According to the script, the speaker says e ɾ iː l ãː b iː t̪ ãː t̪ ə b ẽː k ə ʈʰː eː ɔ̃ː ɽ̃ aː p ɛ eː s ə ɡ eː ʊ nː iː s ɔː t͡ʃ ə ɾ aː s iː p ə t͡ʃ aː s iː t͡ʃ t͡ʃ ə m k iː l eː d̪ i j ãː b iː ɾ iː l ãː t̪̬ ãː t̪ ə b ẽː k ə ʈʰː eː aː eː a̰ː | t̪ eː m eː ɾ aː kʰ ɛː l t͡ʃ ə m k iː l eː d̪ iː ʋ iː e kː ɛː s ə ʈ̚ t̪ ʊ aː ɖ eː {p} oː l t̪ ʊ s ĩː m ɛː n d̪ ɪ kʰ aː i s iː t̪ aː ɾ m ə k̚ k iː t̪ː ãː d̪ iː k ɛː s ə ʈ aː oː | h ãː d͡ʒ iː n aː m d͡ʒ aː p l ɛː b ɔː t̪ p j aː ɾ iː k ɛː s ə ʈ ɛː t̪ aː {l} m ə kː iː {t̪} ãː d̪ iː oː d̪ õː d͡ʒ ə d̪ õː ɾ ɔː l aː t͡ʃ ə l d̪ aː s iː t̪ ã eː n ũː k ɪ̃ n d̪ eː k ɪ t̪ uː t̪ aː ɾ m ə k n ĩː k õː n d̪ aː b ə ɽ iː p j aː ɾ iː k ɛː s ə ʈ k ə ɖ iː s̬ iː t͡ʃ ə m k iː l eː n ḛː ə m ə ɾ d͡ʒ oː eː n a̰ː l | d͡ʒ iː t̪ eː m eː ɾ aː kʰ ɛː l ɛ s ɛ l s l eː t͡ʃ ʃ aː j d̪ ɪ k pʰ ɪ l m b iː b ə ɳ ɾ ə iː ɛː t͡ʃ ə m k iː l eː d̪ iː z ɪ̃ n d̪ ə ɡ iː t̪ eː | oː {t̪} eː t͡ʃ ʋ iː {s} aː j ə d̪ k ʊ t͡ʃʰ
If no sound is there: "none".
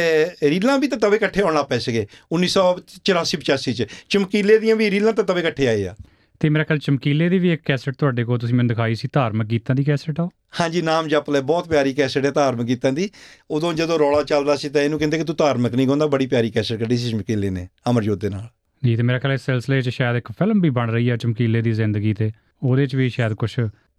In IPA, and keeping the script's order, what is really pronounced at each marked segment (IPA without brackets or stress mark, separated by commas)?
k, ɾ, t̪, d̪, ʃ